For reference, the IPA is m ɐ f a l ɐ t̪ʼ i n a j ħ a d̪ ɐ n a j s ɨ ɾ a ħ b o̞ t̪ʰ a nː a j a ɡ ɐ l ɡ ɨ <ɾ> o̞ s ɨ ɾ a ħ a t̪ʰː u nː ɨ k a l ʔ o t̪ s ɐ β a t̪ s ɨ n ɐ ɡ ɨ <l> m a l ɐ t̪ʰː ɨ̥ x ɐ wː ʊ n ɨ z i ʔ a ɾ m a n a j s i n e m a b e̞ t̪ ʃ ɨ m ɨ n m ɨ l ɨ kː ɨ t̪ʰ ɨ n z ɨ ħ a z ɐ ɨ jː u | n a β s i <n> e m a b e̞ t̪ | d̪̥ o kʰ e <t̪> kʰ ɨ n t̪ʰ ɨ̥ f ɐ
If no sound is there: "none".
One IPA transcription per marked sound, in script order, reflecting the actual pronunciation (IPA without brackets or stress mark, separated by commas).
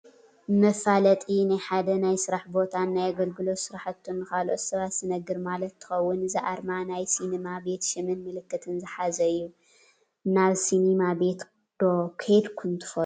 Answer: l, ɾ, n, d̪